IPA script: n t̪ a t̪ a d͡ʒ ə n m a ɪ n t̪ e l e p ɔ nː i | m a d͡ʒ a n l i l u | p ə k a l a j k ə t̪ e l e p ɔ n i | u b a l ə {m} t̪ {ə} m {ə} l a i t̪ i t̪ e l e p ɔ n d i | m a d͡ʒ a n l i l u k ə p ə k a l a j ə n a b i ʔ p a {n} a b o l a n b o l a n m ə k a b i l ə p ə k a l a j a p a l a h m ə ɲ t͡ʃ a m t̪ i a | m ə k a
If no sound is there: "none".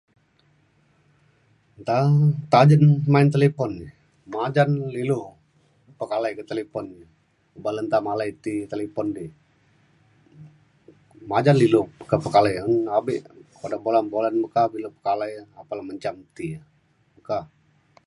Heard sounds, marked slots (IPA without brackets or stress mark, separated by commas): n, a, a, d